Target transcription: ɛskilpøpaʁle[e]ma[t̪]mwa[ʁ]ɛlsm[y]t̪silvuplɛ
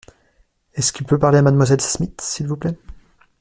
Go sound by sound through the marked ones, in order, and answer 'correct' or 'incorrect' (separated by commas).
incorrect, incorrect, incorrect, incorrect